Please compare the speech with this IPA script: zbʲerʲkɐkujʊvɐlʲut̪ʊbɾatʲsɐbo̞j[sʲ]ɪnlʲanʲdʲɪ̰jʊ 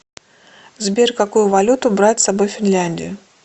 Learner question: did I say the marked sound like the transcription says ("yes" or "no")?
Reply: no